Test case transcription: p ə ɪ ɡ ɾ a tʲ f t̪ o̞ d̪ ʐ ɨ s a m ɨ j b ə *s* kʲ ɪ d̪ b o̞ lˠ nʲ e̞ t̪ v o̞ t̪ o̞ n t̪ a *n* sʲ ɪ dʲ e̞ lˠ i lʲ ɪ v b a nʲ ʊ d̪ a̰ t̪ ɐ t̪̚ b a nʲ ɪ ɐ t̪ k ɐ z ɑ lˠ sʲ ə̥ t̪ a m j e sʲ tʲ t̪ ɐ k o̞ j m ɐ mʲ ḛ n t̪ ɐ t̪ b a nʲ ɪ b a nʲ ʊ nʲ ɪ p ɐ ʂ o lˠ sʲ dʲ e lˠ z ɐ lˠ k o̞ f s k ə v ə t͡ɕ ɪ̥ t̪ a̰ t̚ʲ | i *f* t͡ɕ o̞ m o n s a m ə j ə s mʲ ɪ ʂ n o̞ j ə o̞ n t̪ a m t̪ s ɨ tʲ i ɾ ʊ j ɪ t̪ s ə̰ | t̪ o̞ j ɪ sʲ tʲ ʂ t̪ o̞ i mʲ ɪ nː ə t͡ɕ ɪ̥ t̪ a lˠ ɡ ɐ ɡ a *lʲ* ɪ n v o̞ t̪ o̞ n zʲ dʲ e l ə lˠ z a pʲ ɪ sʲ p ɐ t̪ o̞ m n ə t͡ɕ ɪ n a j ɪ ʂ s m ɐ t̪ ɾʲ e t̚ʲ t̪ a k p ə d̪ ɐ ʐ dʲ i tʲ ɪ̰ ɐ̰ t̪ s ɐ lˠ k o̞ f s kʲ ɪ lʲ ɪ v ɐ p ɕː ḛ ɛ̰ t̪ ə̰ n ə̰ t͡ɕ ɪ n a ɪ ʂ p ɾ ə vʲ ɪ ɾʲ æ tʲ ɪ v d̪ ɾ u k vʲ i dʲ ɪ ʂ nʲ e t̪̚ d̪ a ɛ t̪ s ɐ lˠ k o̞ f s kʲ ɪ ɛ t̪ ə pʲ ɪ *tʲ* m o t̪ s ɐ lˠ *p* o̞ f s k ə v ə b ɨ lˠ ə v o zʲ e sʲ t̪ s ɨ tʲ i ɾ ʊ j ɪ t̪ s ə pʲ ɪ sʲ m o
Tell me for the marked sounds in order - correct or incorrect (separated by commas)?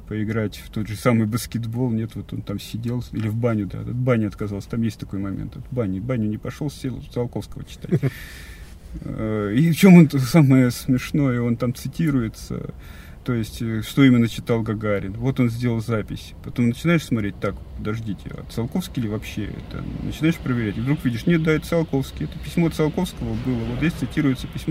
correct, incorrect, correct, incorrect, incorrect, incorrect